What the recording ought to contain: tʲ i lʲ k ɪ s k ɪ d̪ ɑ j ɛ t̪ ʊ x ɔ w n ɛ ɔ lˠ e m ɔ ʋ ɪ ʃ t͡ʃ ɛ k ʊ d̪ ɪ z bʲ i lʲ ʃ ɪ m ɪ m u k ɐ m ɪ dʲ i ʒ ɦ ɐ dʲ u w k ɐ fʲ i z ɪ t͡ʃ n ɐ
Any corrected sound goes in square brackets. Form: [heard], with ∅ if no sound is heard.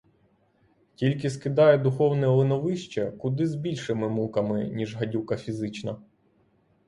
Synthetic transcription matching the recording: tʲ i lʲ k ɪ s k ɪ d̪ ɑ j ɛ [d̪] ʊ x ɔ w n ɛ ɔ lˠ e [n] ɔ ʋ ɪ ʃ t͡ʃ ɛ k ʊ d̪ ɪ z bʲ i lʲ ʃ ɪ m ɪ m u k ɐ m ɪ [nʲ] i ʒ ɦ ɐ dʲ u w k ɐ fʲ i z ɪ t͡ʃ n ɐ